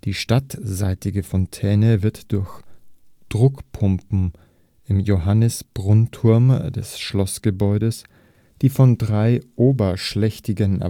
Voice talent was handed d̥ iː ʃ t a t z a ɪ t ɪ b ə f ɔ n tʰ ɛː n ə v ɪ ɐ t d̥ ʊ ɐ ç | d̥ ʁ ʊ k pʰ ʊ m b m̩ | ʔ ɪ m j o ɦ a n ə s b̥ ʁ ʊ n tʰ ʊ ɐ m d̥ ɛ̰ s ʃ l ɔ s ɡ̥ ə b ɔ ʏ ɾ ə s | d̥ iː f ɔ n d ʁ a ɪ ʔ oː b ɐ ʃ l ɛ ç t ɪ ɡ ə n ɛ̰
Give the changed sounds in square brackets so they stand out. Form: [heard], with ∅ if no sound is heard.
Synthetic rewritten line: d̥ iː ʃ t a t z a ɪ t ɪ [ɡ] ə f ɔ n tʰ ɛː n ə v ɪ ɐ t d̥ ʊ ɐ ç | d̥ ʁ ʊ k pʰ ʊ m [p] m̩ | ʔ ɪ m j o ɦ a n ə s b̥ ʁ ʊ n tʰ ʊ ɐ m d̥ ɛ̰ s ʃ l ɔ s ɡ̥ ə b ɔ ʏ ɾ ə s | d̥ iː f ɔ n d ʁ a ɪ ʔ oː b ɐ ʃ l ɛ ç t ɪ ɡ ə n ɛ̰